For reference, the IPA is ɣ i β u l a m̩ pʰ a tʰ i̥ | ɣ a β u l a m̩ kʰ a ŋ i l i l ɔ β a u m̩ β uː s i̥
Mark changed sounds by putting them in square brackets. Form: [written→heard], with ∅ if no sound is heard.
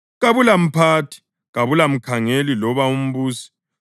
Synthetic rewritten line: ɣ [i→a] β u l a m̩ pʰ a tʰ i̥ | ɣ a β u l a m̩ kʰ a ŋ [i→e] l i l ɔ β a u m̩ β uː s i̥

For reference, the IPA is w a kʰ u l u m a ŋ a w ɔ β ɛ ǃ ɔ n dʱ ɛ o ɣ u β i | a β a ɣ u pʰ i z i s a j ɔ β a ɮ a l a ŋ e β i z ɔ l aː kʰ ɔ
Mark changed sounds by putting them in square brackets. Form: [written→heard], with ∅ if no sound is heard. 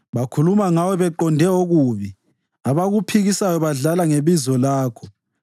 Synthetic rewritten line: [w→β] a kʰ u l u m a ŋ a w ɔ β ɛ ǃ ɔ n dʱ ɛ o ɣ u β i | a β a ɣ u pʰ i [z→ɣ] i s a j ɔ β a ɮ a l a ŋ e β i z ɔ l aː kʰ ɔ

